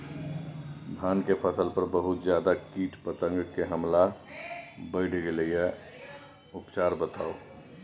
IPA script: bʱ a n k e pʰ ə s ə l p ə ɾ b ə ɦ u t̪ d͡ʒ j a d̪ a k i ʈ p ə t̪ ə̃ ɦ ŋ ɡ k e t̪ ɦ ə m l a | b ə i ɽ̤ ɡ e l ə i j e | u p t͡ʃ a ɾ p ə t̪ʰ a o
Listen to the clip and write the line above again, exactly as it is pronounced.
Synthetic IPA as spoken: bʱ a n k e pʰ ə s ə l p ə ɾ b ə ɦ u t̪ d͡ʒ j a d̪ a k i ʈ p ə t̪ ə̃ ŋ ɡ k e ɦ ə m l a | b ə ɪ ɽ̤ ɡ e l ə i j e | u p t͡ʃ a ɾ b ə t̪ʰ a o